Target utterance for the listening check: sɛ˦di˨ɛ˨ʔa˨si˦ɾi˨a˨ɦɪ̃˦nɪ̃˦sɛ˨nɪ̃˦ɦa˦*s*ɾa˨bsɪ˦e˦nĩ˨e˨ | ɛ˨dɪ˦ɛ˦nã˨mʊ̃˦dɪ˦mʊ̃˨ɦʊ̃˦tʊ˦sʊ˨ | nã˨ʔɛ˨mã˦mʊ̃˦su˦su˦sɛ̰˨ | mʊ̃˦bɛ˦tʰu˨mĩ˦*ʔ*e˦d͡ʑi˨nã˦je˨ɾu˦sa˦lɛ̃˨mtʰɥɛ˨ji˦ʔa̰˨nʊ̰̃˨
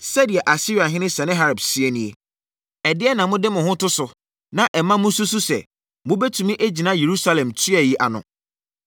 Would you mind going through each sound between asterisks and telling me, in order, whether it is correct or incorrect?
incorrect, correct

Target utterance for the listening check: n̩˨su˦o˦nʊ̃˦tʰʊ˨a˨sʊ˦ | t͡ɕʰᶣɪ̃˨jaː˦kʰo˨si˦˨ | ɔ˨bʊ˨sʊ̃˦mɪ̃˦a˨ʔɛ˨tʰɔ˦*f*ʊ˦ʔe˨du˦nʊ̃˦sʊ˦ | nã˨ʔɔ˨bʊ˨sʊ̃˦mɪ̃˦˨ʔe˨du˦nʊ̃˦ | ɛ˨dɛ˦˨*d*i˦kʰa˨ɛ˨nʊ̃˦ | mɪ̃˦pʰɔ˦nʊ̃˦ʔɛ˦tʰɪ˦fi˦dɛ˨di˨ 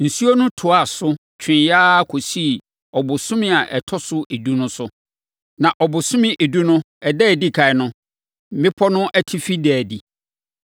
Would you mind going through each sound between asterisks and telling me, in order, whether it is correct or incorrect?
incorrect, correct

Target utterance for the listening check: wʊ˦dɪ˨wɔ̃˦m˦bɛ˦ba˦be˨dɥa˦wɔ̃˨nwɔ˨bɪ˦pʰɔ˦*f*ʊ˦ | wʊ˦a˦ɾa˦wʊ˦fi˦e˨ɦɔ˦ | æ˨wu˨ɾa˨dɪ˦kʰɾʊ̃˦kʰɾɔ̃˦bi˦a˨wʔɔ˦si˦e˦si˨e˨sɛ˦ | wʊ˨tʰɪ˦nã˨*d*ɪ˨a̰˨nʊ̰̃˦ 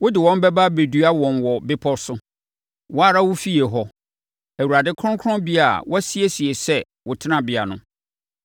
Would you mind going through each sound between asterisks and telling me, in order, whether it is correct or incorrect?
incorrect, incorrect

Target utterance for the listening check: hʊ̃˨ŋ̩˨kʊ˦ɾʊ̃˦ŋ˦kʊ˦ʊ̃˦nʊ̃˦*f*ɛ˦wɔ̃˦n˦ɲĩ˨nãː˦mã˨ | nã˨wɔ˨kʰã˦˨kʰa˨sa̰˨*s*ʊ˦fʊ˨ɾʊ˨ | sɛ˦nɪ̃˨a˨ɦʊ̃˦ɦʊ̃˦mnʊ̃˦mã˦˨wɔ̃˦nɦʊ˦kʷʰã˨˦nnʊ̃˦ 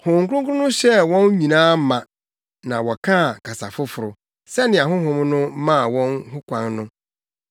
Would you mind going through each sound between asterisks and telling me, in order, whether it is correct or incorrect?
incorrect, incorrect

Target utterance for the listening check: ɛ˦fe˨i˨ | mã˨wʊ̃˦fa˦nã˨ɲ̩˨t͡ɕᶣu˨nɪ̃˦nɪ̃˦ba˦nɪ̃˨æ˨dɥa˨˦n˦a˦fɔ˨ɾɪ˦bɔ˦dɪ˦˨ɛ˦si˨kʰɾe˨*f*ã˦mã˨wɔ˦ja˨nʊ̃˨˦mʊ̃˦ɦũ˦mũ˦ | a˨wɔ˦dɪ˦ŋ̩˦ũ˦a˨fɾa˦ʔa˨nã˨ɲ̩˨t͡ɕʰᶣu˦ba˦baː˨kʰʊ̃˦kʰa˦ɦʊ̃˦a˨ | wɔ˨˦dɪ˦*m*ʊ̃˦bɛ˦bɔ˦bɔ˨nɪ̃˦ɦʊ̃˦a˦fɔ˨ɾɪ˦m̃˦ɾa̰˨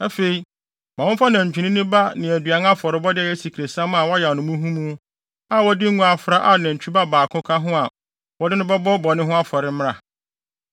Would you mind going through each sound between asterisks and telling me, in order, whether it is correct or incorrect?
incorrect, incorrect

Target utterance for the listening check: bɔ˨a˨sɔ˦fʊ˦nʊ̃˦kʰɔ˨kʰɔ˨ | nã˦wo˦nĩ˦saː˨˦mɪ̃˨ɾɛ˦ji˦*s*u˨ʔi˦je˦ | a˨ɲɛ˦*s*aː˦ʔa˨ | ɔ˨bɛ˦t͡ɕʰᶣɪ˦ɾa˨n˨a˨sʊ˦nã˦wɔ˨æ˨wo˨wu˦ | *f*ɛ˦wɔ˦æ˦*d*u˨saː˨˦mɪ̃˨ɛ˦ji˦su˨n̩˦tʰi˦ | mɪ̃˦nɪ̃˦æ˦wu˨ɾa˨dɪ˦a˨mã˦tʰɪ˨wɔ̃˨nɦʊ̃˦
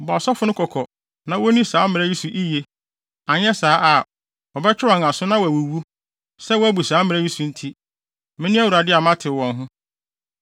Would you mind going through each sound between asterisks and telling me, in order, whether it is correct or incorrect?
correct, correct, incorrect, incorrect

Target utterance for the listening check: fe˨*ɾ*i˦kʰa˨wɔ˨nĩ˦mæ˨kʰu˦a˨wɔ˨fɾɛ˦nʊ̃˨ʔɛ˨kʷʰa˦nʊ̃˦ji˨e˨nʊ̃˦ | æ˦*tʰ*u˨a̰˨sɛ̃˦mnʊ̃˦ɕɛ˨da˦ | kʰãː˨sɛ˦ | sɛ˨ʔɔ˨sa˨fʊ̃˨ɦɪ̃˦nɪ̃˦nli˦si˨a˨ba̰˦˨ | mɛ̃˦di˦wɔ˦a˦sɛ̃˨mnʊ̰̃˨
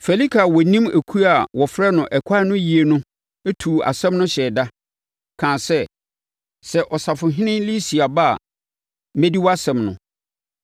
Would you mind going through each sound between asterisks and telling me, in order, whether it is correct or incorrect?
incorrect, correct

